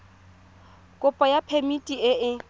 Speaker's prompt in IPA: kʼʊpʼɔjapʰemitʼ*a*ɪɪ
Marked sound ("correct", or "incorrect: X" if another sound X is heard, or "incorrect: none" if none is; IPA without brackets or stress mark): incorrect: i